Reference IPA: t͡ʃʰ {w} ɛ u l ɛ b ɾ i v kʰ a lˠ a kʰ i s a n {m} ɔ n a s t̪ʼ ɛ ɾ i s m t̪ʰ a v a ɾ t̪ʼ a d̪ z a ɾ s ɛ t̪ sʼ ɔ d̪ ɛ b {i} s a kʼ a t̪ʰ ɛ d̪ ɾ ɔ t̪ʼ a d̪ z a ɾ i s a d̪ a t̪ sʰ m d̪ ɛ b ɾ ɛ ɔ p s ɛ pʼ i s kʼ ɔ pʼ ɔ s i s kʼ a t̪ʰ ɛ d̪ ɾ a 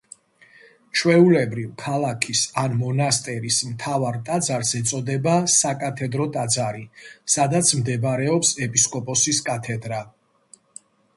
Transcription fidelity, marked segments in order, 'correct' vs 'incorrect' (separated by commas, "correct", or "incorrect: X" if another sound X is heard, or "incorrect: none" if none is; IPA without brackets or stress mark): correct, correct, incorrect: a